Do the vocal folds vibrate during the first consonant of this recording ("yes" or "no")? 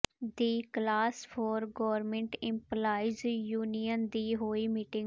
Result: yes